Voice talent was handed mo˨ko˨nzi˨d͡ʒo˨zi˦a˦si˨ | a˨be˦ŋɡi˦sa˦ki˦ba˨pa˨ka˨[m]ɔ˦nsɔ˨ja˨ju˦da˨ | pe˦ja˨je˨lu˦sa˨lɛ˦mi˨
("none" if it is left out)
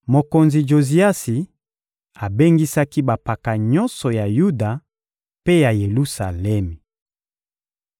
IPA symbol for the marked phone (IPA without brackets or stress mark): ɲ